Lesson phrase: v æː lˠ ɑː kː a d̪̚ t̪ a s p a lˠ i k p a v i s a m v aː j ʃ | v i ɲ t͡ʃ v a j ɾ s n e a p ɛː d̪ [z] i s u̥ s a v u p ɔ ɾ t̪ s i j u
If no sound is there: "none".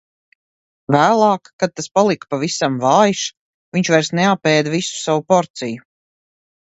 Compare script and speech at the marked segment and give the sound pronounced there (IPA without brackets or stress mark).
v